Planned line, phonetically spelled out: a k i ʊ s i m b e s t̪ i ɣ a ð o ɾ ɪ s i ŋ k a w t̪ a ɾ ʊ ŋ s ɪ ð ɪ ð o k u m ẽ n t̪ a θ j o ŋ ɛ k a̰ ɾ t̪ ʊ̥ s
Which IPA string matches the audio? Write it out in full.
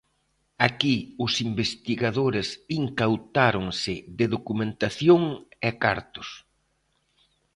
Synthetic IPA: a k i ʊ s i m b e s t̪ i ɣ a ð o ɾ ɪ s i ŋ k a w t̪ a ɾ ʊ ŋ s ɪ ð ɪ ð o k u m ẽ n t̪ a θ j o ŋ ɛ k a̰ ɾ t̪ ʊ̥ s